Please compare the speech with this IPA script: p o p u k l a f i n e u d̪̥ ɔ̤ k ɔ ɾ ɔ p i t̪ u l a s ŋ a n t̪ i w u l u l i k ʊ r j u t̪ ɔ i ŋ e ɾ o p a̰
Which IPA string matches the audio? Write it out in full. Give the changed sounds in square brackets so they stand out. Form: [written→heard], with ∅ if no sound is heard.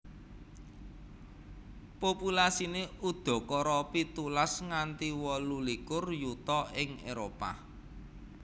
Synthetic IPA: p o p u [k→∅] l a [f→s] i n e u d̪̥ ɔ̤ k ɔ ɾ ɔ p i t̪ u l a s ŋ a n t̪ i w [u→ɔ] l u l i k ʊ r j u t̪ ɔ [i→ɪ] ŋ e ɾ o p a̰